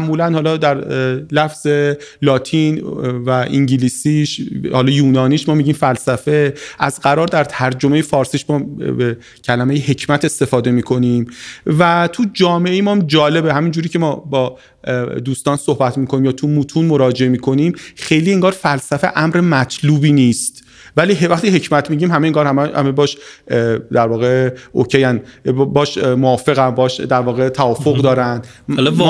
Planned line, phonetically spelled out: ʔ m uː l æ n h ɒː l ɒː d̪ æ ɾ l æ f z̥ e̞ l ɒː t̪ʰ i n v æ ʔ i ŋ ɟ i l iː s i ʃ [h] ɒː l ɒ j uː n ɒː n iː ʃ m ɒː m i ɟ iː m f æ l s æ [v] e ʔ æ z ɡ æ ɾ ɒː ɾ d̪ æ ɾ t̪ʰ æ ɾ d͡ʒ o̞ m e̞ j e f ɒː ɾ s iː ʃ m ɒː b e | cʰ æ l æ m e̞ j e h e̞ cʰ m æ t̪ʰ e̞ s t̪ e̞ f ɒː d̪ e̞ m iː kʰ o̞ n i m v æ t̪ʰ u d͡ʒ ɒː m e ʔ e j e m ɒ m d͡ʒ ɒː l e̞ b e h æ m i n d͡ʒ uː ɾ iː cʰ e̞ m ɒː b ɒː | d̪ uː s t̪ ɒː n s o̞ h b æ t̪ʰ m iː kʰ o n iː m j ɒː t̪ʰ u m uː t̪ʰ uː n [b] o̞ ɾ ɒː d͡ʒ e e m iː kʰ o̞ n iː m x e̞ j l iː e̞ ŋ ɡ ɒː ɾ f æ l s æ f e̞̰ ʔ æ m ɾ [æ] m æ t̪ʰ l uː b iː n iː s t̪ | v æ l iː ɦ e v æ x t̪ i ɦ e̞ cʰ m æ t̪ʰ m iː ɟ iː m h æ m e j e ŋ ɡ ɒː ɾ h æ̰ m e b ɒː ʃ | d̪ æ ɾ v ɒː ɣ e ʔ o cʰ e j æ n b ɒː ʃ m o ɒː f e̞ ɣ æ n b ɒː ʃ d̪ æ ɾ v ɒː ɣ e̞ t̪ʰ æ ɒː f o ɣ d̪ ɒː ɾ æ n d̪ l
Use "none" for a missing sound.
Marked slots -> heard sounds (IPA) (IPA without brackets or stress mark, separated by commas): h, f, m, e